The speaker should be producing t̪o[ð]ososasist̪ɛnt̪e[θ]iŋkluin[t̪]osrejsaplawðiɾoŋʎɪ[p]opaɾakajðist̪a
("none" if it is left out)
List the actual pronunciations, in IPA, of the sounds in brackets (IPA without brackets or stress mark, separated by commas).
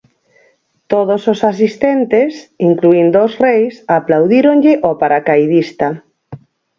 ð, s, d̪, ʔ